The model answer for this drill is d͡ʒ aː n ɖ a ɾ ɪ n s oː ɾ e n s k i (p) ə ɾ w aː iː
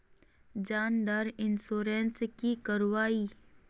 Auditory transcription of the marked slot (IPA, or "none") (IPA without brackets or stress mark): k